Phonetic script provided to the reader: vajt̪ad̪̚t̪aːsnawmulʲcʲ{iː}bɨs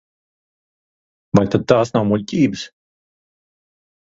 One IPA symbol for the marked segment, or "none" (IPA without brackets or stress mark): iː